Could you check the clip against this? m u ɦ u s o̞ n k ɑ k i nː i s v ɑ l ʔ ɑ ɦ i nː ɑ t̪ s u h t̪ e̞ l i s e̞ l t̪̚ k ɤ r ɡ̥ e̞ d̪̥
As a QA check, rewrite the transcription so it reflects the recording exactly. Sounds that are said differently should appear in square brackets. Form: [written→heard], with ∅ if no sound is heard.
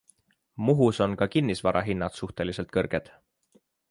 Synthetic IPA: m u ɦ u s o̞ n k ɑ k i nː i s v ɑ [l→ɾ] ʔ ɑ ɦ i nː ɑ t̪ s u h t̪ e̞ l i s e̞ l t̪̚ k ɤ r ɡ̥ e̞ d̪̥

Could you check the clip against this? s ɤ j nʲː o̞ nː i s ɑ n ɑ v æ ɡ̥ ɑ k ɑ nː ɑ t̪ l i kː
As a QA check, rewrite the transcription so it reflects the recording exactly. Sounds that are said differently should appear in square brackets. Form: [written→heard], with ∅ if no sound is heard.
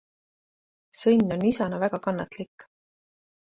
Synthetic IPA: s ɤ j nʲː o̞ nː i s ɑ n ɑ v æ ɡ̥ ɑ k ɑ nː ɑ t̪ l i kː

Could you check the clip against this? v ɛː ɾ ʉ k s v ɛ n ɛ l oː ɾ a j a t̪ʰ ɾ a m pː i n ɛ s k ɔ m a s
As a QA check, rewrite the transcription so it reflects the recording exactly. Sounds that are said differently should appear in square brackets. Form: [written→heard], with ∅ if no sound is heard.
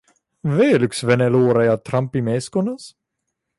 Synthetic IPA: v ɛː [ɾ→l] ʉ k s v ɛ n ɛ l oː ɾ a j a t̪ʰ ɾ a m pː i [n→m] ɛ s k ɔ [m→n] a s

